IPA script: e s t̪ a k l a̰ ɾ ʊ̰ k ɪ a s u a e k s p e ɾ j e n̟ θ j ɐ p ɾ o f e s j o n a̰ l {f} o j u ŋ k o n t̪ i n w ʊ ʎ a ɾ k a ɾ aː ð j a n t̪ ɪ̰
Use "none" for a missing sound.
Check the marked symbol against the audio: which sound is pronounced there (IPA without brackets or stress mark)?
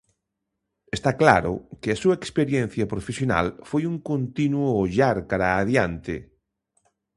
f